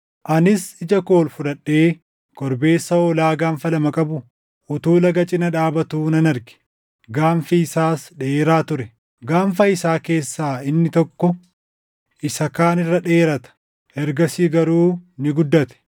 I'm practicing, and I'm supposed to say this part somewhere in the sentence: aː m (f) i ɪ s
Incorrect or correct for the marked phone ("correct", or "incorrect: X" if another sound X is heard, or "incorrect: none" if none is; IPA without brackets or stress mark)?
correct